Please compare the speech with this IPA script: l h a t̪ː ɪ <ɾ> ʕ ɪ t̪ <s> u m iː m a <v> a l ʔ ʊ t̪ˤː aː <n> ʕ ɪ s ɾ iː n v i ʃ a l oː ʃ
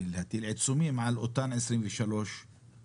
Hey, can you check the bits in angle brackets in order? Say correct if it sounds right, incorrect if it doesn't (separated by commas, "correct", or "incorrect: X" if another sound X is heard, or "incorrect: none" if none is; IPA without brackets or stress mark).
incorrect: l, correct, incorrect: ʕ, correct